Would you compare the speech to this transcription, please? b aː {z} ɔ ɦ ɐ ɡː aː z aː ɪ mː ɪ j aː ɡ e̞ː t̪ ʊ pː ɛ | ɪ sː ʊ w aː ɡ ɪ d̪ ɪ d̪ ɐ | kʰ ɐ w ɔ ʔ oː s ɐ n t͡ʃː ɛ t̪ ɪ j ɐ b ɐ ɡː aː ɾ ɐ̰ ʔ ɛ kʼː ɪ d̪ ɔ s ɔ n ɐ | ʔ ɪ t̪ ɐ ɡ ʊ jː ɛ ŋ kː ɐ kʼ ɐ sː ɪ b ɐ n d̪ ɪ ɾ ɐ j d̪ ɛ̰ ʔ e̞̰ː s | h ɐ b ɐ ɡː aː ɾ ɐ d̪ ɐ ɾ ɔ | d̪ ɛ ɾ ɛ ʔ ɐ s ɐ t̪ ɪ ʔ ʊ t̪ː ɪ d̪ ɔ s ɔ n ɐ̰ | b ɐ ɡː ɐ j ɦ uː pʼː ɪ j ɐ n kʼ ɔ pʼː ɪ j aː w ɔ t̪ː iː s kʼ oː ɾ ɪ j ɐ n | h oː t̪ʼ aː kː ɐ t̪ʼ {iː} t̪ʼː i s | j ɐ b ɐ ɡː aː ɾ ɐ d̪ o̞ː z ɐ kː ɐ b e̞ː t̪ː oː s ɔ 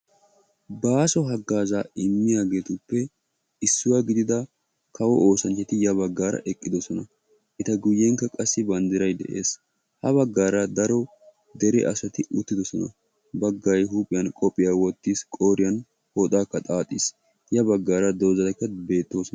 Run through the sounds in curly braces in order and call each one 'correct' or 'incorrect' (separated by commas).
incorrect, incorrect